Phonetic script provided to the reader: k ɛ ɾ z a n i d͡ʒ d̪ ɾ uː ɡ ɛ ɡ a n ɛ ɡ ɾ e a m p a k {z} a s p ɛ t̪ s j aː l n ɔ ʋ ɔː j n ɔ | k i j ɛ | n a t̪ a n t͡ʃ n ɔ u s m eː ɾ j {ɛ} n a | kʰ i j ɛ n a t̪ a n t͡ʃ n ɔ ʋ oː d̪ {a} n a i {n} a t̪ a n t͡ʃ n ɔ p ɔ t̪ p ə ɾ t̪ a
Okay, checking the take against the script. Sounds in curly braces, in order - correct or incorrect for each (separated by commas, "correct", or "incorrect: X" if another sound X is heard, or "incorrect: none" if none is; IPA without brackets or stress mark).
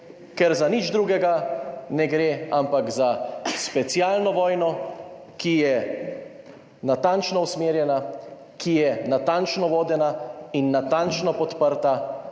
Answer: correct, correct, incorrect: ɛ, incorrect: nː